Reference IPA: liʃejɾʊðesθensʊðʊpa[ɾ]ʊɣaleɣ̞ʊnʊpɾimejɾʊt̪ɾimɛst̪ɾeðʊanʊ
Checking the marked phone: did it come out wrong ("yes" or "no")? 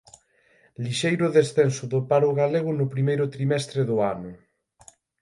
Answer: no